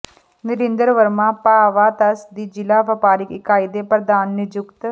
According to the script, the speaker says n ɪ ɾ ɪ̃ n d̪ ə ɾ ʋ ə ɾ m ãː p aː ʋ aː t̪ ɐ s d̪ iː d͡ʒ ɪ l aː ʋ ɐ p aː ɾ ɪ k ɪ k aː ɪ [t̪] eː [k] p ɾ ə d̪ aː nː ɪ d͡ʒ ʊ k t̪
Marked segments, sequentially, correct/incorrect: incorrect: d̪, incorrect: none

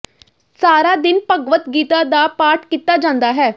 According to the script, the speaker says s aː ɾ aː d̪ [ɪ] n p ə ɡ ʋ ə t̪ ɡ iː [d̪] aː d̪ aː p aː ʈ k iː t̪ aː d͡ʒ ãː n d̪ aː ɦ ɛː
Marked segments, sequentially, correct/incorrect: correct, incorrect: t̪

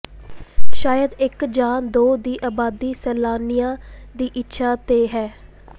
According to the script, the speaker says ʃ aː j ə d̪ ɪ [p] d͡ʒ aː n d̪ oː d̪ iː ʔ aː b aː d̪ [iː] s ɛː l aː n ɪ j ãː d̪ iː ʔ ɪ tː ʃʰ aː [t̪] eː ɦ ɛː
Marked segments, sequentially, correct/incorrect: incorrect: k, correct, correct

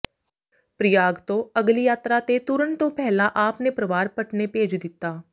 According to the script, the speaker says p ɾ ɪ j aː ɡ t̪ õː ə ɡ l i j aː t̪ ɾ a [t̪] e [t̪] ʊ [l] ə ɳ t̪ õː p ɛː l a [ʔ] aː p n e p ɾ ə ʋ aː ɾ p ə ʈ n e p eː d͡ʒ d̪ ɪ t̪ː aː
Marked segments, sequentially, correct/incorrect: correct, correct, incorrect: ɾ, correct

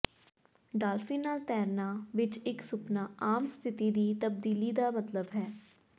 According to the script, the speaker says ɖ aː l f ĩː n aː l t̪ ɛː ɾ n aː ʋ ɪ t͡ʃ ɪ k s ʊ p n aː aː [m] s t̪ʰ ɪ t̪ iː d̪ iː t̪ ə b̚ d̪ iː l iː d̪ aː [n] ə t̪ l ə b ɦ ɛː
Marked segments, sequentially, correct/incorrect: correct, incorrect: m

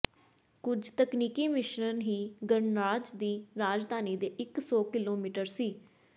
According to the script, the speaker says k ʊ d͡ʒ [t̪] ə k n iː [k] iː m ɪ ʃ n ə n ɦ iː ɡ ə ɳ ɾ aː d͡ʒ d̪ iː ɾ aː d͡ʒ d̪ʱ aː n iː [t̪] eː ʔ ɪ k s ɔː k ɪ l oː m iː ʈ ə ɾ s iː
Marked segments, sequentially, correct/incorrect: correct, correct, incorrect: d̪

